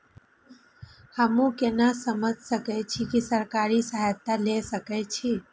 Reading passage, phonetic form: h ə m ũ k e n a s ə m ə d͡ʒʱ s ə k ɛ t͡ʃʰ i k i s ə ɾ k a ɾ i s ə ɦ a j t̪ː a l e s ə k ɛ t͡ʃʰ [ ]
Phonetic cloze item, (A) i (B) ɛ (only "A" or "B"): A